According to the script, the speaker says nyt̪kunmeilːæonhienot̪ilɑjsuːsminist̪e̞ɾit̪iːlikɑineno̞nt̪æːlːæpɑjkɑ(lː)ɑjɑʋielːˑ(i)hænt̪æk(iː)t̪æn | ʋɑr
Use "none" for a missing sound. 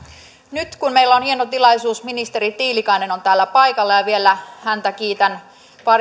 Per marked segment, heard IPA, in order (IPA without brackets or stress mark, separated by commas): lː, æ, iː